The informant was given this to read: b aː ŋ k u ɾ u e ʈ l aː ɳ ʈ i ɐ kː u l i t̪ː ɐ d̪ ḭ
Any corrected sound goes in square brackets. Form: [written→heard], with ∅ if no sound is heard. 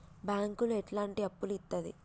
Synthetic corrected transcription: b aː ŋ k u [ɾ→l] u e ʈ l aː ɳ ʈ i ɐ [kː→pː] u l i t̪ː ɐ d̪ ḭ